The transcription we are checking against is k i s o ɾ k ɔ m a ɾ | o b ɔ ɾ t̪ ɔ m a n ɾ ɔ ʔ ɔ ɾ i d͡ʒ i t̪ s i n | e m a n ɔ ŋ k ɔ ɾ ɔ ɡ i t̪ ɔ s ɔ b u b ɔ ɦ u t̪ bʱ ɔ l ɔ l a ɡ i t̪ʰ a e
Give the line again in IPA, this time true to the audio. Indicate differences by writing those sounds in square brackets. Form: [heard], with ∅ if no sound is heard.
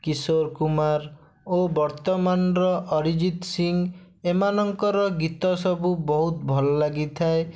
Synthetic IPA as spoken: k i s o ɾ k [u] m a ɾ | o b ɔ ɾ t̪ ɔ m a n ɾ ɔ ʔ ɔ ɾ i d͡ʒ i t̪ s i [ŋ] | e m a n ɔ ŋ k ɔ ɾ ɔ ɡ i t̪ ɔ s ɔ b u b ɔ ɦ u t̪ bʱ ɔ l ɔ l a ɡ i t̪ʰ a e